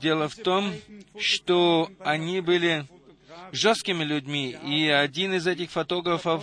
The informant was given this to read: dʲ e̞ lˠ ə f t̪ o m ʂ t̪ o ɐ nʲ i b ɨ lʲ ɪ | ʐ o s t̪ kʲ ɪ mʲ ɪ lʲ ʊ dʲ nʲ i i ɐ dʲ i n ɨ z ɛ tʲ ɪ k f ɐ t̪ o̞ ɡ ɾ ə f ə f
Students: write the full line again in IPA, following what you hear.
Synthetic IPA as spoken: dʲ e̞ lˠ ə f t̪ o m ʂ t̪ o ɐ nʲ i b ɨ lʲ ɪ | ʐ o s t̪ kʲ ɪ mʲ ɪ lʲ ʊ dʲ mʲ i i ɐ dʲ i n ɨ z ɛ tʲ ɪ x f ɐ t̪ o̞ ɡ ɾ ə f ə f